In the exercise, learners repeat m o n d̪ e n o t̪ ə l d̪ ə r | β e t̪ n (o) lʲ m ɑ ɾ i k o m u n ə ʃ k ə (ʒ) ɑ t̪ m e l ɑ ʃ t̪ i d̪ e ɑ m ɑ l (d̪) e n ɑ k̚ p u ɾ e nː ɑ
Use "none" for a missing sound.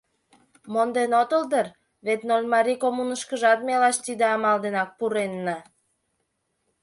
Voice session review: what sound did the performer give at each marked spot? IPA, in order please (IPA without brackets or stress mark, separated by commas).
o, ʒ, d̪